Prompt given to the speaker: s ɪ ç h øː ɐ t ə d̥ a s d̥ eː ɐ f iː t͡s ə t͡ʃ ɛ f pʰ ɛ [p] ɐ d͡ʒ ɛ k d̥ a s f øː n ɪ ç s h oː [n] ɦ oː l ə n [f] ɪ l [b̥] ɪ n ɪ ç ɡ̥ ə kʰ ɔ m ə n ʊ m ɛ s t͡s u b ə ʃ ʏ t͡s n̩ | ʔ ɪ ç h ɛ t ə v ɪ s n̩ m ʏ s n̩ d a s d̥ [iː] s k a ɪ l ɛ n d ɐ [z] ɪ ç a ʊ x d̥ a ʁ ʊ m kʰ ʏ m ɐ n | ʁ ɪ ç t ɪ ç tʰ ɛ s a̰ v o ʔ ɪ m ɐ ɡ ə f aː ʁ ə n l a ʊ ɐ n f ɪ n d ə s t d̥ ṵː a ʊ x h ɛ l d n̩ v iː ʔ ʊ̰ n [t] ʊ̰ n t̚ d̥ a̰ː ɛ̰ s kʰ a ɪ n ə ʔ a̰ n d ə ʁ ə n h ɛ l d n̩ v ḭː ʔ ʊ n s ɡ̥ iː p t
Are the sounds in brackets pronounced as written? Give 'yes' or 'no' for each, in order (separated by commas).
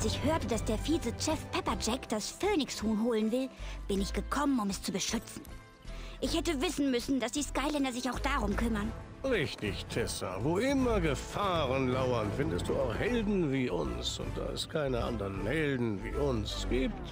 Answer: yes, yes, no, yes, yes, yes, no